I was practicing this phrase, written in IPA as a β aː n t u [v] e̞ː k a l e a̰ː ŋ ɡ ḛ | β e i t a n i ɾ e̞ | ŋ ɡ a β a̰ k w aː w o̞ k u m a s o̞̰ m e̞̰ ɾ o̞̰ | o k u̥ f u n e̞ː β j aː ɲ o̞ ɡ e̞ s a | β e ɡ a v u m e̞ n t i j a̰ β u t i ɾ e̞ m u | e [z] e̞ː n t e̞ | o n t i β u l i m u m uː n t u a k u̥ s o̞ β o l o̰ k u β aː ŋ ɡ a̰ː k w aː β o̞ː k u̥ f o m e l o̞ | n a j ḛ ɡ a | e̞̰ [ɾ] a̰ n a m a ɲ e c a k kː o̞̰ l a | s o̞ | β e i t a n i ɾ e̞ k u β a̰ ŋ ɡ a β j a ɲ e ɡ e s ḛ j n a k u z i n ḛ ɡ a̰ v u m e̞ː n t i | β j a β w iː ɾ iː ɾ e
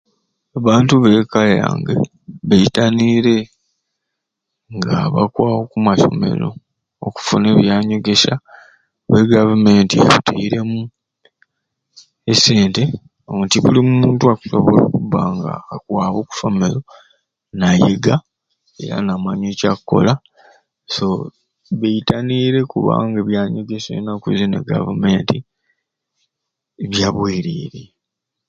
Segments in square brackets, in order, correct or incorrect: incorrect: β, incorrect: s, correct

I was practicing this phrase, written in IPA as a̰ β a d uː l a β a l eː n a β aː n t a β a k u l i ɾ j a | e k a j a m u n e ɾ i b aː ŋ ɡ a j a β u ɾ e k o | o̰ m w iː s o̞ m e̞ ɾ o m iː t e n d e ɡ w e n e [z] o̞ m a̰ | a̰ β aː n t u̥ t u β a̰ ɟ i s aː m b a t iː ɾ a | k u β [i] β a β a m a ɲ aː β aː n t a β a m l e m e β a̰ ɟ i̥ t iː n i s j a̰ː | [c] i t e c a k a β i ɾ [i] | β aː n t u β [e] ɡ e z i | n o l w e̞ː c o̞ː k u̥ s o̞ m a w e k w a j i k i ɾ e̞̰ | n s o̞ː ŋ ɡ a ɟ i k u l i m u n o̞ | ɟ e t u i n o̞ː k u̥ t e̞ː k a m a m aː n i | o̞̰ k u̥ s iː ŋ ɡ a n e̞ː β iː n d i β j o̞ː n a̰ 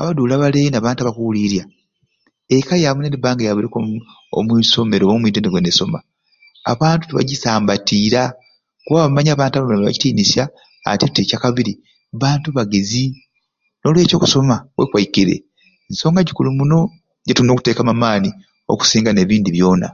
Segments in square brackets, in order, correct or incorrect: incorrect: s, incorrect: a, incorrect: t, correct, incorrect: a

